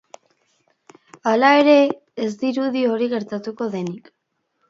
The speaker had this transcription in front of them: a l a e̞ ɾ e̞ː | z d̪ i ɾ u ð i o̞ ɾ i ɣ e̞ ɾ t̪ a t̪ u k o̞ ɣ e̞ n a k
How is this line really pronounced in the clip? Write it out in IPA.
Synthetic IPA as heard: a l a e̞ ɾ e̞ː | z d̪ i ɾ u ð i o̞ ɾ i ɣ e̞ ɾ t̪ a t̪ u k o̞ ð e̞ n i k